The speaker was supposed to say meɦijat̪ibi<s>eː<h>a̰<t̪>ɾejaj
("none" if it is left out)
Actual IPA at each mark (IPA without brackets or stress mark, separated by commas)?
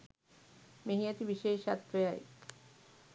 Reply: ʃ, ʃ, t̪